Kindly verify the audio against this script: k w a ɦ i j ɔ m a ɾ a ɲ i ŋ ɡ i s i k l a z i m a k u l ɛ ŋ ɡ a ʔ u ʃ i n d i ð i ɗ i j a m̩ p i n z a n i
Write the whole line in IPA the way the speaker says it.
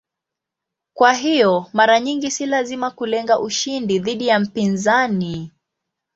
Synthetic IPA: k w a ɦ i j ɔ m a ɾ a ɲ i ŋ ɡ i s i l a z i m a k u l ɛ ŋ ɡ a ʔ u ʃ i n d i ð i ɗ i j a m̩ p i n z a n i